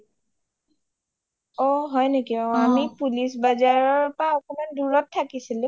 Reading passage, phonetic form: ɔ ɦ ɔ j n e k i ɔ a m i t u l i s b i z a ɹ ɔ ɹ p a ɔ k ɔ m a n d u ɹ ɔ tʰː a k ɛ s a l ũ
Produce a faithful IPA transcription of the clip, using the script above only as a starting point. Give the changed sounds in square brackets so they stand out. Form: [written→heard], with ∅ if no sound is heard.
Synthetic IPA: ɔ ɦ ɔ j n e k i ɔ a m i [t→p] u l i s b [i→a] z a ɹ ɔ ɹ p a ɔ k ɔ m a n d u ɹ ɔ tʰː a k [ɛ→i] s [a→i] l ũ